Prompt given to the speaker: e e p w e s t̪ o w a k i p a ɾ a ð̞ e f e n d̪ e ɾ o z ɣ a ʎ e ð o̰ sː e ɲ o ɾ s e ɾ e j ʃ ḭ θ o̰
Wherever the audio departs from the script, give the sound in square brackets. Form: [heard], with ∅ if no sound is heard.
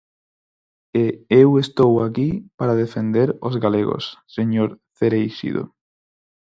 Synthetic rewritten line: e e [∅] w e s t̪ o w a k i p a ɾ a ð̞ e f e n d̪ e ɾ o z ɣ a [l] e [ɣ] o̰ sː e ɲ o ɾ [θ] e ɾ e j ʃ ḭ [ð] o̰